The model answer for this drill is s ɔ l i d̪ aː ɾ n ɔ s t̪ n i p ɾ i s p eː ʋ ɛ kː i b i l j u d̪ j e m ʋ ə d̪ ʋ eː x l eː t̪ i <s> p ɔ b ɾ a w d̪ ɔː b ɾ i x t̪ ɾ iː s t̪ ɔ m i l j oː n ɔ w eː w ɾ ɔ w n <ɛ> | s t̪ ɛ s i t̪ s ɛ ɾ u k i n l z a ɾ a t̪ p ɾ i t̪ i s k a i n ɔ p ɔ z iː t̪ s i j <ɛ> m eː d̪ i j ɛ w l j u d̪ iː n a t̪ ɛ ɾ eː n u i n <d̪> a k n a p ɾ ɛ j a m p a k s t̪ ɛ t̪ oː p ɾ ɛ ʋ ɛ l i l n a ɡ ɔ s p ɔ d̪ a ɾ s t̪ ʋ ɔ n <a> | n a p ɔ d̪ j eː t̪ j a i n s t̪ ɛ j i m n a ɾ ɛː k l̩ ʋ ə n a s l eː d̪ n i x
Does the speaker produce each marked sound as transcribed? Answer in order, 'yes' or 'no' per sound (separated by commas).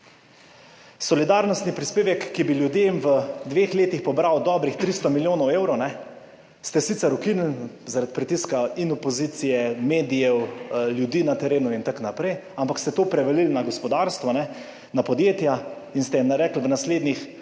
no, yes, yes, no, no